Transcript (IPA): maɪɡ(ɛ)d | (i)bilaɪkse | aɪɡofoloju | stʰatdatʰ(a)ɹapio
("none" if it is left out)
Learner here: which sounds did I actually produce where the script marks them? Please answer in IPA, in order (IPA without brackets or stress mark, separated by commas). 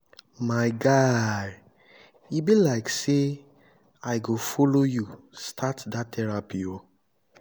a, i, ɛ